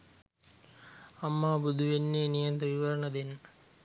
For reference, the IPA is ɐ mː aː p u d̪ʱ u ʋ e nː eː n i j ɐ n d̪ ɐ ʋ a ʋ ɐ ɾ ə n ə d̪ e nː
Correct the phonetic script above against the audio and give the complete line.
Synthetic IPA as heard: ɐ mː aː b u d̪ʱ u ʋ e nː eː n i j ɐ n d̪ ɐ ʋ i ʋ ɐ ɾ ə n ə d̪ e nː